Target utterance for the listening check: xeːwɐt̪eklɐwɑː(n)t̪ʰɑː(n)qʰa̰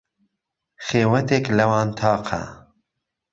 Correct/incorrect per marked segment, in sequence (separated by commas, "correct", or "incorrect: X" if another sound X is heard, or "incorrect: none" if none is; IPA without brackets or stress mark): correct, incorrect: none